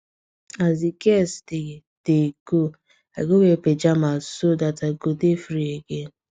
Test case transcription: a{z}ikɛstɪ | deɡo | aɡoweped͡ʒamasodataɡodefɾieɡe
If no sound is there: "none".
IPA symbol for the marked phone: z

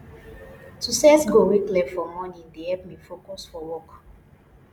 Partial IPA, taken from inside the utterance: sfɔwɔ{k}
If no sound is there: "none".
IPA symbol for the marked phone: k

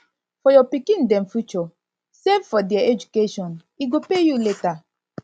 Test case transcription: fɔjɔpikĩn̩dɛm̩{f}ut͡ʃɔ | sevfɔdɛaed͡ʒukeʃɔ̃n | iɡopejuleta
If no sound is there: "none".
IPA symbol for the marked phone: f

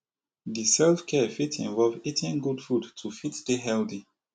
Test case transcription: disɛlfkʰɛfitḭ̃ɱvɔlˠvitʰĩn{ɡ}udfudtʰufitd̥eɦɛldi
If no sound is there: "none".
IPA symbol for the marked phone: ɡ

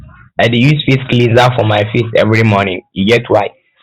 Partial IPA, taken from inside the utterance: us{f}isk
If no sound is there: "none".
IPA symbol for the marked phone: f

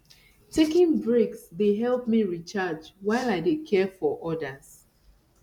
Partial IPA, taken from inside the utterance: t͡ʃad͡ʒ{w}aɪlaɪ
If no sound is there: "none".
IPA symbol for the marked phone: w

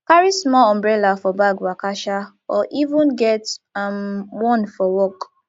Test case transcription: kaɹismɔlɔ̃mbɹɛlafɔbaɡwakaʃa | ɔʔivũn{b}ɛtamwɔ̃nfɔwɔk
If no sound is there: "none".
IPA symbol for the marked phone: ɡ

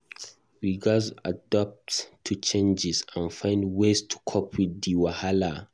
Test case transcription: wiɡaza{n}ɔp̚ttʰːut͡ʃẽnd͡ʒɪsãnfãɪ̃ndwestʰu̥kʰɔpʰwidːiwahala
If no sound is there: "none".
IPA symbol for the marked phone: d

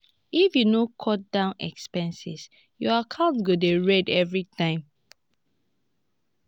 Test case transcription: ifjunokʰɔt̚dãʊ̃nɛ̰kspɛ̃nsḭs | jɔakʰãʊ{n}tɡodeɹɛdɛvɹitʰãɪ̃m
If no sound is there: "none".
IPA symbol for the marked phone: n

